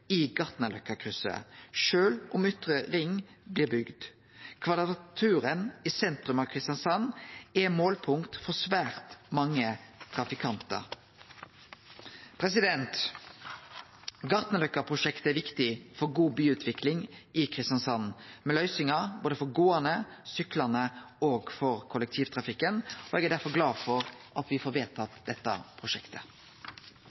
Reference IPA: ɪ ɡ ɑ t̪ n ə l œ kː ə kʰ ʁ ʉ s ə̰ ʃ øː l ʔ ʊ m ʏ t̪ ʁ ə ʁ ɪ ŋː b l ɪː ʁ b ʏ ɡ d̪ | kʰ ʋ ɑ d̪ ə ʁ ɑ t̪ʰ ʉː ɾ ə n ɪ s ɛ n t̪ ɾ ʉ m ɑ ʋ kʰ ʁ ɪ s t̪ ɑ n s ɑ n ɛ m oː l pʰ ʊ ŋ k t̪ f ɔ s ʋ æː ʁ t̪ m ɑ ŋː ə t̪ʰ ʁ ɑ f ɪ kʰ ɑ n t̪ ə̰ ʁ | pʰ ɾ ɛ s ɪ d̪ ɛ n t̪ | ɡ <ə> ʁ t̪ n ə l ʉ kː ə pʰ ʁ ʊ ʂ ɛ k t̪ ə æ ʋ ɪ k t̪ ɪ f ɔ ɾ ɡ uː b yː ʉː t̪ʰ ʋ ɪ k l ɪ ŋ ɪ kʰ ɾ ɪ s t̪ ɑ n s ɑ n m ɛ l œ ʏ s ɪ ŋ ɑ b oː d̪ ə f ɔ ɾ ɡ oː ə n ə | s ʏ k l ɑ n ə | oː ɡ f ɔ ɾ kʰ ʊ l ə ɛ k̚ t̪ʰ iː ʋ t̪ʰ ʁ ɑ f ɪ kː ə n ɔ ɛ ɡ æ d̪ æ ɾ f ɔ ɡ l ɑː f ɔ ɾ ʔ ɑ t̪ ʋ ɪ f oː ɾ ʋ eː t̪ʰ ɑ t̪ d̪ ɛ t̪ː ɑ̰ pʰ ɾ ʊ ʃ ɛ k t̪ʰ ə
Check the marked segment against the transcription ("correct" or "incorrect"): incorrect